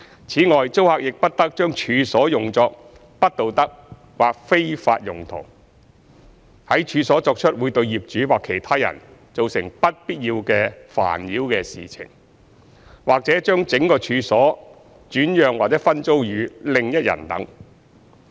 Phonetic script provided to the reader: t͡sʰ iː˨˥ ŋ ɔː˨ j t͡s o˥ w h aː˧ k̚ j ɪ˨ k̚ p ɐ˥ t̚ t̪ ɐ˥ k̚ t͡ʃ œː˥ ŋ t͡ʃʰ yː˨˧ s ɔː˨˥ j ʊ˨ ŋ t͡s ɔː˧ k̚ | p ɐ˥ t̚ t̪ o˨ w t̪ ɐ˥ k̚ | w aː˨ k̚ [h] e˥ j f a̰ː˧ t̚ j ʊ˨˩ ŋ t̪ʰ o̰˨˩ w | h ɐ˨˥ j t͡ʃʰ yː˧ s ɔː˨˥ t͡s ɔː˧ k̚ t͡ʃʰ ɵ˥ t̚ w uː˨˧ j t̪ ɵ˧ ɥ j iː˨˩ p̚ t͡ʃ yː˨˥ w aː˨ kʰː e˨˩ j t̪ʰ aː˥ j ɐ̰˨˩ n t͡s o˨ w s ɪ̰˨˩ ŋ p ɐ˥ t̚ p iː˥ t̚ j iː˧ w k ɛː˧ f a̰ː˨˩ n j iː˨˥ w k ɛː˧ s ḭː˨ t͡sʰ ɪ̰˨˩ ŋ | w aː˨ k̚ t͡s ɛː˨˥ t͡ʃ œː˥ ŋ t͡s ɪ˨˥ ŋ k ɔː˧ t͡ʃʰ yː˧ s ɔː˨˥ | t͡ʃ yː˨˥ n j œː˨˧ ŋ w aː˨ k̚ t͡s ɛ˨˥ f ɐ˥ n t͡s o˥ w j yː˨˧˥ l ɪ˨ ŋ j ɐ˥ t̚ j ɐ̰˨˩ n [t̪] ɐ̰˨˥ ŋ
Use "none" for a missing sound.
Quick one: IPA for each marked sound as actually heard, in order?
f, t̪

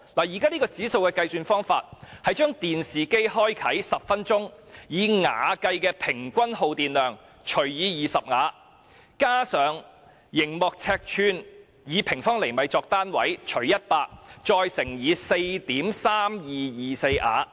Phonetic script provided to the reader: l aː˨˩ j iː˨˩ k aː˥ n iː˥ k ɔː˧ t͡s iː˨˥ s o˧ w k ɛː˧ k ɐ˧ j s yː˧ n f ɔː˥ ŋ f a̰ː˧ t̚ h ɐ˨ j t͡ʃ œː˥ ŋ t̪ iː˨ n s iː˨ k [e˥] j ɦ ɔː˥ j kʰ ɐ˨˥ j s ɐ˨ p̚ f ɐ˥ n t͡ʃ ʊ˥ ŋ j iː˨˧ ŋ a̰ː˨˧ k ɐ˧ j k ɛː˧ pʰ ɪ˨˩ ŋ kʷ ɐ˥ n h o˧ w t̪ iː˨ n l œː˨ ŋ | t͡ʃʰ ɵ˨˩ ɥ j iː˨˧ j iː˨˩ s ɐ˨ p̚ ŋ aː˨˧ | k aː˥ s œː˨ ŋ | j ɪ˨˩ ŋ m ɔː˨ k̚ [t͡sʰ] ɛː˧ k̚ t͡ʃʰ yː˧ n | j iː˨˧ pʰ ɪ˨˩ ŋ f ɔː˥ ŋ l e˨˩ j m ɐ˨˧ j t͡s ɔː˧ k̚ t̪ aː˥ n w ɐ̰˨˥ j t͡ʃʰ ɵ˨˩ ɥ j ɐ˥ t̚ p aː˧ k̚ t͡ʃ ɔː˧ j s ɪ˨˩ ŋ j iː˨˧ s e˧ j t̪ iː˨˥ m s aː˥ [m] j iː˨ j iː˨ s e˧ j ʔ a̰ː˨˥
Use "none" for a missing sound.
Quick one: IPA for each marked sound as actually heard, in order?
e˥, t͡sʰ, m

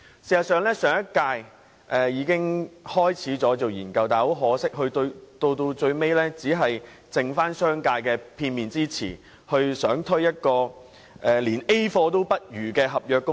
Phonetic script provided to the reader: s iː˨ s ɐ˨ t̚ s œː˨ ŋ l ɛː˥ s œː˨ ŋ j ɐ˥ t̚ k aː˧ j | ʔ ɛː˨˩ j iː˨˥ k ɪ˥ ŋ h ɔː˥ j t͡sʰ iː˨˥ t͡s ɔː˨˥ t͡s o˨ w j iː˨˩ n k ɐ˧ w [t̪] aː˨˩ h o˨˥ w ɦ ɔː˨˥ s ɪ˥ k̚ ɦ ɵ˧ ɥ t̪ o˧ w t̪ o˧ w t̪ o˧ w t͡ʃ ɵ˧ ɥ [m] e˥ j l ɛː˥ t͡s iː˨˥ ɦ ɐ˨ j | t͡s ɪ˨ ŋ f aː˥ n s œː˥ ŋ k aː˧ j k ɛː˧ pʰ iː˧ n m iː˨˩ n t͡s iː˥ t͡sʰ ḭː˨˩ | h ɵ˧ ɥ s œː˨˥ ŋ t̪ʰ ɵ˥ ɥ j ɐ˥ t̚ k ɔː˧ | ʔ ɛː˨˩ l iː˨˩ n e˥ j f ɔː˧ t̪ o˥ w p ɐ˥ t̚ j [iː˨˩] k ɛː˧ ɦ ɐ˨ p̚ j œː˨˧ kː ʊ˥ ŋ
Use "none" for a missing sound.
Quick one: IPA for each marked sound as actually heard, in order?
t̪, m, yː˨˩

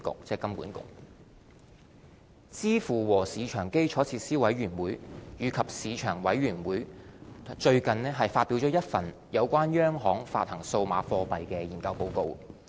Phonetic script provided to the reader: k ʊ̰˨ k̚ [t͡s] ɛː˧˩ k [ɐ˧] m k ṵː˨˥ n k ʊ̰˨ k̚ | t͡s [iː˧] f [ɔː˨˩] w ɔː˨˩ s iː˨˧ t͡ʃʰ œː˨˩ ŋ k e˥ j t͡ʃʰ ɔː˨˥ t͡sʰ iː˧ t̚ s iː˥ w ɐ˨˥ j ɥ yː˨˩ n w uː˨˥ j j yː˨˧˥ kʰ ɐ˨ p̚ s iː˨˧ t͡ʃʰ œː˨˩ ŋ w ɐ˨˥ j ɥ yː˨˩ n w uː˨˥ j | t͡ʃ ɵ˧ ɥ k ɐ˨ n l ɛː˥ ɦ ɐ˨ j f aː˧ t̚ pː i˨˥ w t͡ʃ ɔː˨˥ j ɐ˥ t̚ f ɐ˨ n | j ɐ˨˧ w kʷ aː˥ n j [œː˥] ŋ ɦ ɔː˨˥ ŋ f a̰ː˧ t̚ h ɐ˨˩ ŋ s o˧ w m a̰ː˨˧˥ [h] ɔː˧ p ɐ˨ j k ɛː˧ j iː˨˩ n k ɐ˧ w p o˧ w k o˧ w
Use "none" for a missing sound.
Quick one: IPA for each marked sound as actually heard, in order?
t͡s, ɐ˥, iː˥, uː˨˩, œː˥, f

